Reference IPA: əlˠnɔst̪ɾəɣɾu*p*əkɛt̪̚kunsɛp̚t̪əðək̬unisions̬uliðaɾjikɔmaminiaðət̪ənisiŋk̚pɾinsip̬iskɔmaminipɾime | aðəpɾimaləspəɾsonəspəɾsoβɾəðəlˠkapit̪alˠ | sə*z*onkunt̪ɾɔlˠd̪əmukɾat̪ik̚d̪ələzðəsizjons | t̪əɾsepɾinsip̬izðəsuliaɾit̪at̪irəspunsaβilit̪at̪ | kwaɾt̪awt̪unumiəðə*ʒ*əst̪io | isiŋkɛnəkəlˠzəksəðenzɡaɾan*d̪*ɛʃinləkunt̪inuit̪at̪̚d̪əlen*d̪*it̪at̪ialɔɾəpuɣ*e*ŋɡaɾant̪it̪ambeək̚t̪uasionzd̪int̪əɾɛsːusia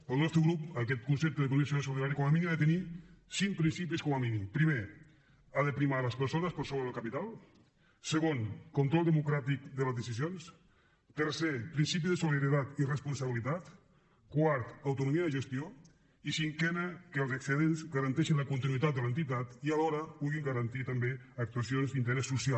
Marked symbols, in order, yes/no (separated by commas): yes, no, yes, no, no, no